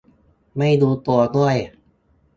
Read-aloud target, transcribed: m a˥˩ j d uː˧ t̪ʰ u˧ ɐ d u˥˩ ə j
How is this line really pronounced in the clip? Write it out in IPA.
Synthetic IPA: m a˥˩ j d uː˧ t̪ u˧ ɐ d u˥˩ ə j